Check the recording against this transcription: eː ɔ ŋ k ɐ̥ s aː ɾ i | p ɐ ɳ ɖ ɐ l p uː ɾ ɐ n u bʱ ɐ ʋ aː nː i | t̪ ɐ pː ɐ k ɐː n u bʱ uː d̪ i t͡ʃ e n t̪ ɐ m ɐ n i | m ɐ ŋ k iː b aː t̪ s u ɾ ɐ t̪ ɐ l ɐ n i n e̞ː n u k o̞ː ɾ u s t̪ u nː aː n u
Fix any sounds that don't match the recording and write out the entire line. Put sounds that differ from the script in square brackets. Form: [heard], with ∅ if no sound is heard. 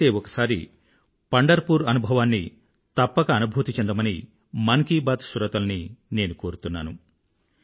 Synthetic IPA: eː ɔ [∅] k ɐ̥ s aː ɾ i | p ɐ ɳ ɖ ɐ [ɾ] p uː ɾ ɐ n u bʱ ɐ ʋ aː nː i | t̪ ɐ pː ɐ k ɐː n u bʱ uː [t̪] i t͡ʃ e n [d̪] ɐ m ɐ n i | m ɐ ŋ k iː b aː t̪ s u ɾ ɐ t̪ ɐ l ɐ n i n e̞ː n u k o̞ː ɾ u [∅] t̪ u nː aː n u